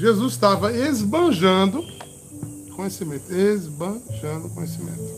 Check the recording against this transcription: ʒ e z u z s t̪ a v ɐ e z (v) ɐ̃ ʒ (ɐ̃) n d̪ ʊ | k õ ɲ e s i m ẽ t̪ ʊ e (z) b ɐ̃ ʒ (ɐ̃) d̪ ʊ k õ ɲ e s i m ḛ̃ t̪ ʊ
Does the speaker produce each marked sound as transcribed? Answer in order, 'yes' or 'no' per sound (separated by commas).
no, yes, yes, yes